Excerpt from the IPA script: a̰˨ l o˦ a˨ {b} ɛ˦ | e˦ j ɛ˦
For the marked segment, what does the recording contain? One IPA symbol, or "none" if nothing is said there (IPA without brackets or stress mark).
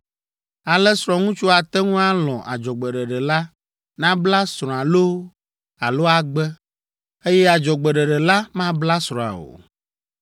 ɡ͡b